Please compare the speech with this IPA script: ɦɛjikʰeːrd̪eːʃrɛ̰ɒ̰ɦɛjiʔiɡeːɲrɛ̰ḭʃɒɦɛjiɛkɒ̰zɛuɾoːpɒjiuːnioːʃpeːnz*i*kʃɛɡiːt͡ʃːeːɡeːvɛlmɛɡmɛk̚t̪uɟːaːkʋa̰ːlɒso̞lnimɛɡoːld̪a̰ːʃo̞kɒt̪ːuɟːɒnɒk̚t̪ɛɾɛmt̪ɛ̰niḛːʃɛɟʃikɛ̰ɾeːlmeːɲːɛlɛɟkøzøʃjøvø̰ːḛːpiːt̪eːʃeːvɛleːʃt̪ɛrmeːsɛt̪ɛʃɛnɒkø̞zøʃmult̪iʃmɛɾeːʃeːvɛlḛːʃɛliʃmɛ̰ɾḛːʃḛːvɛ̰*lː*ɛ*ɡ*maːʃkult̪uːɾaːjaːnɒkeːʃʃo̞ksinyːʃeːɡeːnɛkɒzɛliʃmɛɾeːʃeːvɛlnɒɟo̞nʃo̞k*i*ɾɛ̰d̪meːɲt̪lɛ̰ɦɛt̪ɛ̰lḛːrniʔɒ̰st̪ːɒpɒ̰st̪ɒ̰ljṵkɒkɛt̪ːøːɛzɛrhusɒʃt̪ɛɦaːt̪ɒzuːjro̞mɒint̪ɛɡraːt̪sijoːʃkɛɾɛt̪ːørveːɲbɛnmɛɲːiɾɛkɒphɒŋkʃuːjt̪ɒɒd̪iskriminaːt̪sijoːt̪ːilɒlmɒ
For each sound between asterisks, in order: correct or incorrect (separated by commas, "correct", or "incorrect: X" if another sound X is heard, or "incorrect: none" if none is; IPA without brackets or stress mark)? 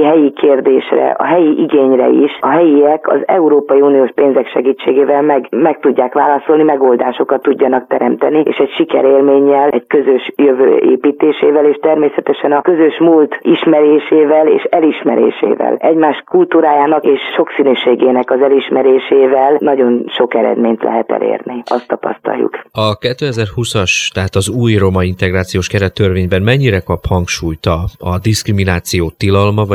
incorrect: ɛ, incorrect: l, incorrect: ɟ, incorrect: ɛ